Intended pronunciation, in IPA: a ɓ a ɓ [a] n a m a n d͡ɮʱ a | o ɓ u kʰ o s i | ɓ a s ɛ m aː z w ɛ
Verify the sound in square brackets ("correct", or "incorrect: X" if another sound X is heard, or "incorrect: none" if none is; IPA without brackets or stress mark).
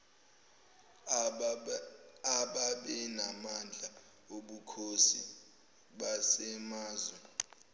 incorrect: ɛ